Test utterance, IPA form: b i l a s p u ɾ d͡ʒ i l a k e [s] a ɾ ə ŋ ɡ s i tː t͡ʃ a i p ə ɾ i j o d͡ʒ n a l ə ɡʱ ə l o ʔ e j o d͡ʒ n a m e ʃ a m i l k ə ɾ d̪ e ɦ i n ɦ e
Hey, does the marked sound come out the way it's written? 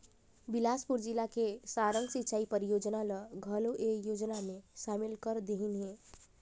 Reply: yes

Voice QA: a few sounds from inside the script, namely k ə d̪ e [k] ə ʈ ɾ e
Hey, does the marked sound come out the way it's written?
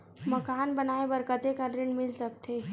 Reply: yes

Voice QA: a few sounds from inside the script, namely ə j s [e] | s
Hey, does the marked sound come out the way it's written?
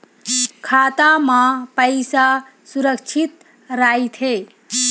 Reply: no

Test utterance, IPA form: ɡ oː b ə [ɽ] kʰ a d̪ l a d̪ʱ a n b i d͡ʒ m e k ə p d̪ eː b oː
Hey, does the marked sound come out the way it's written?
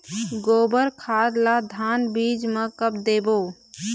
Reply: no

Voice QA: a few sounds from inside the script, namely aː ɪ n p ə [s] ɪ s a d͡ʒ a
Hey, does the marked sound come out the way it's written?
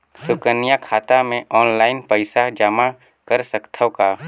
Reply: no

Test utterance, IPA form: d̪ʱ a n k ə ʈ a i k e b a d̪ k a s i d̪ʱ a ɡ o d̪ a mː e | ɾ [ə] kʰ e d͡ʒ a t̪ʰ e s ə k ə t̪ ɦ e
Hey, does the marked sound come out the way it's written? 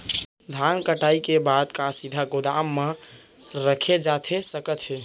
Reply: yes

